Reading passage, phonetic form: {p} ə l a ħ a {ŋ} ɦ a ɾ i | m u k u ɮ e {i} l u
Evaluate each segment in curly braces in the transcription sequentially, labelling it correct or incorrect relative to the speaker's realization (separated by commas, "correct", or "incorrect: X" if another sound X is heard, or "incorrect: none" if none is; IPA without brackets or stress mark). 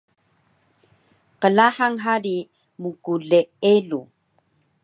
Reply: incorrect: q, correct, incorrect: e